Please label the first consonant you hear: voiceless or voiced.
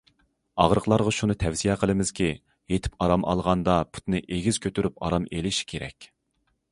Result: voiced